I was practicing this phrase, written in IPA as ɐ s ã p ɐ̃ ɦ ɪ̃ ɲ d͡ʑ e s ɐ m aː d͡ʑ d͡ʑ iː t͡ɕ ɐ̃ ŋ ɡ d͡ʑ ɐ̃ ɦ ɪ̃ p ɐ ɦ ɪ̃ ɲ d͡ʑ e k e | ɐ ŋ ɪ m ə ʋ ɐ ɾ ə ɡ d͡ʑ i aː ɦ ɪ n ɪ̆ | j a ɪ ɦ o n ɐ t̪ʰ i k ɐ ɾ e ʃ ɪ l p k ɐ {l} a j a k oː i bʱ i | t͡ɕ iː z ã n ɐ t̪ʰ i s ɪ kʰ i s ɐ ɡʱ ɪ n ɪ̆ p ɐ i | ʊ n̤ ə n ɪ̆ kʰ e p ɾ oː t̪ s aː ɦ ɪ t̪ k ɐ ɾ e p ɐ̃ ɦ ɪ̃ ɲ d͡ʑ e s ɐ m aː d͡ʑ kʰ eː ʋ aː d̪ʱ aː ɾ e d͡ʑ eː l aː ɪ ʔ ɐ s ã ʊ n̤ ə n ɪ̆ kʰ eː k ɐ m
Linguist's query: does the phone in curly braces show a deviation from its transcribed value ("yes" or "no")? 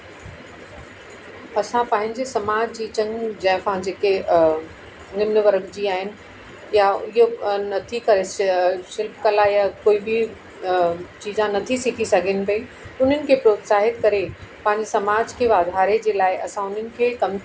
no